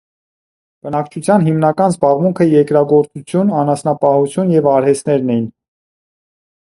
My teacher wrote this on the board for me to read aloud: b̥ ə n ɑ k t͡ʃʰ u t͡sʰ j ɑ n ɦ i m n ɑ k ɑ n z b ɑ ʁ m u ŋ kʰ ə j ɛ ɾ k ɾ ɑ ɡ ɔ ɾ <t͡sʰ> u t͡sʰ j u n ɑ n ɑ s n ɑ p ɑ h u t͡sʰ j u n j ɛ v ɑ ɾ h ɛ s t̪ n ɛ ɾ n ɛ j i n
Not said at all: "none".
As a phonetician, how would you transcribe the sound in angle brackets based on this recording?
t͡s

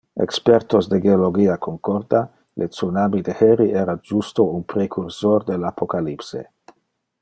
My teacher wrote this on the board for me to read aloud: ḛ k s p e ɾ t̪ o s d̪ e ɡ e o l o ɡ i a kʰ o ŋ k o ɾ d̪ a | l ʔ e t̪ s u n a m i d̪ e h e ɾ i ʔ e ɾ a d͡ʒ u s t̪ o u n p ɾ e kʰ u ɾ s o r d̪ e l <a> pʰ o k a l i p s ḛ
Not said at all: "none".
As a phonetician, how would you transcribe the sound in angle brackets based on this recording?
a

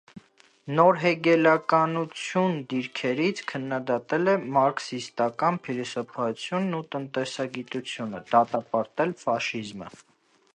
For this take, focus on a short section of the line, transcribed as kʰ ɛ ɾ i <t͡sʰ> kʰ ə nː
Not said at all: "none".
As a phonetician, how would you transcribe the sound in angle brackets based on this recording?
t͡sʰ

